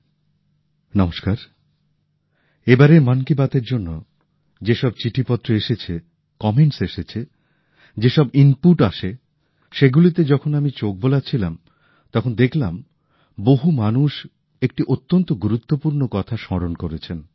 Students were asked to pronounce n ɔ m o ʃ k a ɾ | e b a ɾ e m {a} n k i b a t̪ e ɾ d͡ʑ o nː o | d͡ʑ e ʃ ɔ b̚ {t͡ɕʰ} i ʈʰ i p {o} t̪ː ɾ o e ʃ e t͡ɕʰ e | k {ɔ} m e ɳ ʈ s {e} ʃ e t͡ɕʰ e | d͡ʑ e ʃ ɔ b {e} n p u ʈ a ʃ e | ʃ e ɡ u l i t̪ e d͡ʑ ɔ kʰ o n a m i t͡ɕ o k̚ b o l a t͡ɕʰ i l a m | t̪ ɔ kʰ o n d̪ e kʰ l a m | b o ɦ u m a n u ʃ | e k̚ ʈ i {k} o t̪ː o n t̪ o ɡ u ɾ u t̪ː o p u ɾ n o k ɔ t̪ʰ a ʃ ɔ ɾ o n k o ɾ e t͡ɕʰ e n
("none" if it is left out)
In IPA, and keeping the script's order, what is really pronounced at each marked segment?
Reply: a, t͡ɕ, ɔ, ɔ, e, i, ʔ

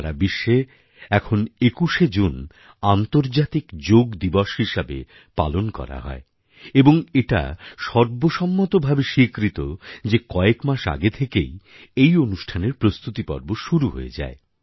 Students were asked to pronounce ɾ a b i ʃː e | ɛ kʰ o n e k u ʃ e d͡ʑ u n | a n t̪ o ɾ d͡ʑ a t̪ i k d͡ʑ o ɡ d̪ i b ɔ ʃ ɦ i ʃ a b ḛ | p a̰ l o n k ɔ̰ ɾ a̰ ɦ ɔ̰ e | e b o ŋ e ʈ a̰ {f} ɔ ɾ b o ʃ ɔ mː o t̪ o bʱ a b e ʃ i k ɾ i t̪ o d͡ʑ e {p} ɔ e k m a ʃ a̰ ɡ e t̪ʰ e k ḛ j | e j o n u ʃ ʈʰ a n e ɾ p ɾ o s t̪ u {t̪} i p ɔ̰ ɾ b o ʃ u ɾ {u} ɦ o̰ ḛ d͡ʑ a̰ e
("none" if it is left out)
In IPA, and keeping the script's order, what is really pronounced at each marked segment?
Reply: ʃ, k, t̪, u

